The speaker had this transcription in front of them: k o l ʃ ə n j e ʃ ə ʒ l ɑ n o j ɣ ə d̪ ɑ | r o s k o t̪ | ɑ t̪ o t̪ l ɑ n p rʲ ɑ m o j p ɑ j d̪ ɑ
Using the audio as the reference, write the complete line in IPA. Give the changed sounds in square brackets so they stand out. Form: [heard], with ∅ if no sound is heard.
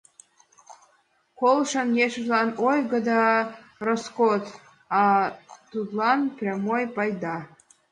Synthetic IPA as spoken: k o l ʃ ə n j e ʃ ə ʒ l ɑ n o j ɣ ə d̪ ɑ | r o s k o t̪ | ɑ t̪ [u] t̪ l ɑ n p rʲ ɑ m o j p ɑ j d̪ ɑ